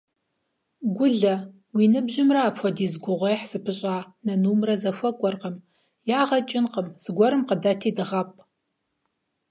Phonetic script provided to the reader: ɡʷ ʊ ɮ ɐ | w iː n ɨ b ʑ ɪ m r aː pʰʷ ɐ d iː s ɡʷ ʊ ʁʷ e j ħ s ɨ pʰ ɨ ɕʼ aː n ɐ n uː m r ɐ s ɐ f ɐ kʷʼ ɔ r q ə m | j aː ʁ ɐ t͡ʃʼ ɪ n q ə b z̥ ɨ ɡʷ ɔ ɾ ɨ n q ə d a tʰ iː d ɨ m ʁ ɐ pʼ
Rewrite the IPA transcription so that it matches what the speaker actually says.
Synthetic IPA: ɡʷ ʊ ɮ ɐ | w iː n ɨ b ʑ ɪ m r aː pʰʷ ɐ d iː z ɡʷ ʊ ʁʷ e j ħ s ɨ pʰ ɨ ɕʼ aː n ɐ n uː m r ɐ z ɐ f ɐ kʷʼ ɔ r q ə m | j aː ʁ ɐ t͡ʃʼ ɪ n q ə m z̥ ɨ ɡʷ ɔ ɾ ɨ m q ə d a tʰ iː d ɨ ʁ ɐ pʼ